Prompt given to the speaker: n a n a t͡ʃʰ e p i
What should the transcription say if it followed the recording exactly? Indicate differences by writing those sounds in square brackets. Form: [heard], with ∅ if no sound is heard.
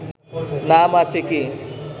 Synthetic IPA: n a [m] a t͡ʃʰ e [k] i

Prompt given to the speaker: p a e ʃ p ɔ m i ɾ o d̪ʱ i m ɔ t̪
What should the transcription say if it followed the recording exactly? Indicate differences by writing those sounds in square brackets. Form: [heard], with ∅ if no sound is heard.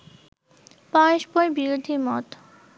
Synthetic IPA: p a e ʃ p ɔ [b] i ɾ o d̪ʱ i m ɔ t̪

